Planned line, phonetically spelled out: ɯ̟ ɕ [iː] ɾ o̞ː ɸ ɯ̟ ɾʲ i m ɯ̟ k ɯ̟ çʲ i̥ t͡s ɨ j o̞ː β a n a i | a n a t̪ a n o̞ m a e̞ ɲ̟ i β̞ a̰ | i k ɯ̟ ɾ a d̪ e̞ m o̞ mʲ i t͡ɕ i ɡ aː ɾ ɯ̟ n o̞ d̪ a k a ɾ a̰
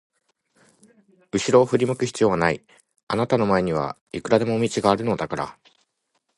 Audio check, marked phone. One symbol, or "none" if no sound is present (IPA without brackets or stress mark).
i